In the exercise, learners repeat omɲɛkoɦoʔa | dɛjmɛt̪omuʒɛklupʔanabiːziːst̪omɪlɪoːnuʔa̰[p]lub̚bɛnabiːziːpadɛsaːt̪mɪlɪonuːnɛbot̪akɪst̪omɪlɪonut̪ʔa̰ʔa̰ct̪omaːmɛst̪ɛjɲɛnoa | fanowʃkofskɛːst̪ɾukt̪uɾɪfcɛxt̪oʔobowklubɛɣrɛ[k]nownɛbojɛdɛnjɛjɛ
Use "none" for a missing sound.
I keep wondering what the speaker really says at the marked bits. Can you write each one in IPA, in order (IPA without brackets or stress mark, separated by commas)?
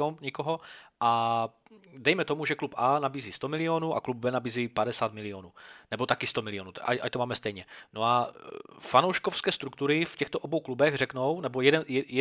k, k